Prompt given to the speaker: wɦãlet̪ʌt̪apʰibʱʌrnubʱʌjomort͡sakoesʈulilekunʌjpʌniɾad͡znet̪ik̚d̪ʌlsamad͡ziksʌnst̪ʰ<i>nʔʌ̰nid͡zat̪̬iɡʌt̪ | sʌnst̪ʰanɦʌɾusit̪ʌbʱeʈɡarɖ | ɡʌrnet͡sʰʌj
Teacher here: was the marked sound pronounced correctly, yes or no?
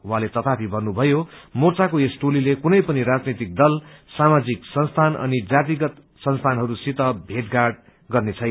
no